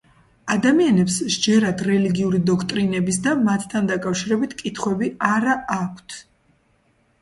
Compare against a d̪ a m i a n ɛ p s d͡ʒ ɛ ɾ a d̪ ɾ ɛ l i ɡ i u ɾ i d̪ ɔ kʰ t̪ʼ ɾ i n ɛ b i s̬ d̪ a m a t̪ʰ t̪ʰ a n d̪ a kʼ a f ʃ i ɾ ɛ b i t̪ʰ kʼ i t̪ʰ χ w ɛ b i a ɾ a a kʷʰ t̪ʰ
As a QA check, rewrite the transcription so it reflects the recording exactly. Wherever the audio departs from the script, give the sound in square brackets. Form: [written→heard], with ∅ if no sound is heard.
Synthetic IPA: a d̪ a m i a n ɛ p s d͡ʒ ɛ ɾ a d̪ ɾ ɛ l i ɡ i u ɾ i d̪ ɔ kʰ t̪ʼ ɾ i n ɛ b i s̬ d̪ a m a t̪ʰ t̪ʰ a n d̪ a kʼ a f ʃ i ɾ ɛ b i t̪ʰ kʼ i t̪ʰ χ w ɛ b i a ɾ a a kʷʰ t̪ʰ